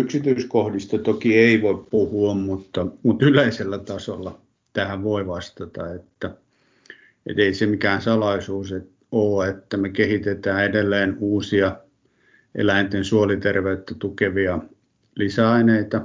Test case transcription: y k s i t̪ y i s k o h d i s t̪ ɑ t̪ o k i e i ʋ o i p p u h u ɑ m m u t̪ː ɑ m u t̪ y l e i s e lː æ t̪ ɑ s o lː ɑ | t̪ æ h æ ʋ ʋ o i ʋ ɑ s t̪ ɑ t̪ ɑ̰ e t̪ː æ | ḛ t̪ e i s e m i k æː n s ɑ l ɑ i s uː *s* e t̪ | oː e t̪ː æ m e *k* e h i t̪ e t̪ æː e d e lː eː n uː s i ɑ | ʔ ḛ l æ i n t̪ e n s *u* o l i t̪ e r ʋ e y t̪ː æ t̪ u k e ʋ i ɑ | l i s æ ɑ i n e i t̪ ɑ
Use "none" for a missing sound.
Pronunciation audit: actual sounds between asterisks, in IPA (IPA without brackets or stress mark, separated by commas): s, k, u